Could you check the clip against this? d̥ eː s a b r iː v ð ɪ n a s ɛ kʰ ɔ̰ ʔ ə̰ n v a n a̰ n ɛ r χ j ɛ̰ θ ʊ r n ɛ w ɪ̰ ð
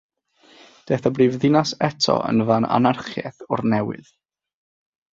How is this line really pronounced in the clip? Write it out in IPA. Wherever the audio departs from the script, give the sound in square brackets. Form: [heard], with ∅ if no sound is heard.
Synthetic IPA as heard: d̥ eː [θ] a b r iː v ð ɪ n a s ɛ [tʰ] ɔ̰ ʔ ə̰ n v a n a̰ n [a] r χ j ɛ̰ θ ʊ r n ɛ w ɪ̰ ð